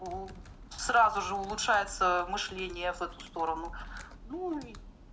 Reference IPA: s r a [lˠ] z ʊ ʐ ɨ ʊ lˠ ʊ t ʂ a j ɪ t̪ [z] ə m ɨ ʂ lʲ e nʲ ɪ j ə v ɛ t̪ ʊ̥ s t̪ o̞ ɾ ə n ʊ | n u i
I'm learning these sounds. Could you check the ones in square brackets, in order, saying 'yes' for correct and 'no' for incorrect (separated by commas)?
no, no